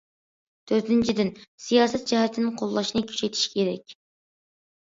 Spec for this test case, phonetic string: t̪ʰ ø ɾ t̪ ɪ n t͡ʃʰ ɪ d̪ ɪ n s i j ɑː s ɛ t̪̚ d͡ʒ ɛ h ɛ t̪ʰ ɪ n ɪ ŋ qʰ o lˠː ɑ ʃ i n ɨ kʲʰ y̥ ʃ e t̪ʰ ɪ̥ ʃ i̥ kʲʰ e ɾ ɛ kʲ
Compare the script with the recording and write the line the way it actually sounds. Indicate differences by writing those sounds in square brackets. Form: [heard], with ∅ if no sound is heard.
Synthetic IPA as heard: t̪ʰ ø ɾ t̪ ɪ n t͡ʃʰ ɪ d̪ ɪ n s i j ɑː s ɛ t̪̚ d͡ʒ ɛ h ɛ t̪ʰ ɪ n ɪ ŋ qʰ o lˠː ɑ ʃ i n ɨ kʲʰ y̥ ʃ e t̪ʰ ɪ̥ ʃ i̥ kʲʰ e ɾ ɛ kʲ